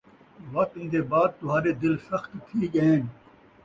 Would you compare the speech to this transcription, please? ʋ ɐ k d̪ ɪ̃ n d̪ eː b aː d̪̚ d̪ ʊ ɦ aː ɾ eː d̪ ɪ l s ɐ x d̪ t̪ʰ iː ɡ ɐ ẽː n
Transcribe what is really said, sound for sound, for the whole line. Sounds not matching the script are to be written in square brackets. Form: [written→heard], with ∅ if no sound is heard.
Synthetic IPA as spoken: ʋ ɐ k [d̪→t̪] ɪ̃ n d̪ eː b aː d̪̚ [d̪→t̪] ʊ ɦ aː ɾ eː d̪ ɪ l s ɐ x [d̪→t̪] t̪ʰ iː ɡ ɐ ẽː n